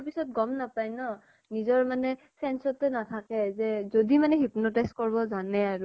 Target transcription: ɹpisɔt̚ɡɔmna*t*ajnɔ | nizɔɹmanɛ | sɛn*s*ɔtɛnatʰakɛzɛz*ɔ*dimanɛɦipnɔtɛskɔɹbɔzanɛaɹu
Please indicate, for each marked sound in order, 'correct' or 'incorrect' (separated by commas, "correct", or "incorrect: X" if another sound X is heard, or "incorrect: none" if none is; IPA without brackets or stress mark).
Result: incorrect: p, correct, incorrect: o